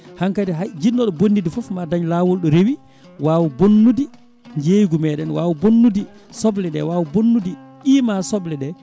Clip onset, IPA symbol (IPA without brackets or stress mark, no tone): h